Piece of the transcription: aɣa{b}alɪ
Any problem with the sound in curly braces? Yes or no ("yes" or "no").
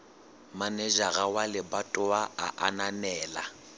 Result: yes